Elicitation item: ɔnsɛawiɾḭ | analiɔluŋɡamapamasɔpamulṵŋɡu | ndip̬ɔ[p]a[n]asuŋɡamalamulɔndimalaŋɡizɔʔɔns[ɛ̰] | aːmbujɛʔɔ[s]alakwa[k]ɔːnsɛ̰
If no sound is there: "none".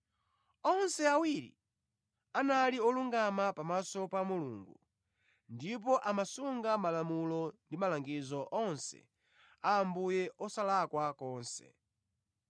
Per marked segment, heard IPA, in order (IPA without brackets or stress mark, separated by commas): ʔ, m, ɛ̰, s, k